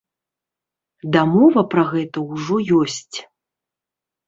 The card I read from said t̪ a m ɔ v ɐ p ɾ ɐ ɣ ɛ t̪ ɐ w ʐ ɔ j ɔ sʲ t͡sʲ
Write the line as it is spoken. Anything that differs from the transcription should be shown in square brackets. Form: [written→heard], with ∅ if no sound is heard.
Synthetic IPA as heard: [t̪→d̪] a m ɔ v ɐ p ɾ ɐ ɣ ɛ t̪ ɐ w ʐ ɔ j ɔ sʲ t͡sʲ